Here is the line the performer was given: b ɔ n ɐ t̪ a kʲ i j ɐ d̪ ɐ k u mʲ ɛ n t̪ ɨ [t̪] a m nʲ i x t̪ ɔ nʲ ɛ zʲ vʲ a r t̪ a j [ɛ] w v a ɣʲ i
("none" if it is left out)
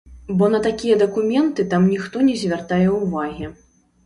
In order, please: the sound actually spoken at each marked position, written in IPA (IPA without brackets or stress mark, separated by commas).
t̪, ɛ